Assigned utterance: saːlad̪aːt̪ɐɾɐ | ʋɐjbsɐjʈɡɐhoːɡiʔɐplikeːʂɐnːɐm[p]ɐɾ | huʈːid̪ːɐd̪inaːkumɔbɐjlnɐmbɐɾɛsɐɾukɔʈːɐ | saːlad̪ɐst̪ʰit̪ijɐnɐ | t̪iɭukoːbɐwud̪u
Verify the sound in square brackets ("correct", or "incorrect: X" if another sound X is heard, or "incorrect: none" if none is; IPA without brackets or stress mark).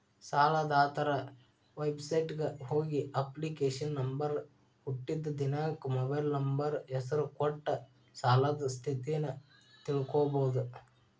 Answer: incorrect: b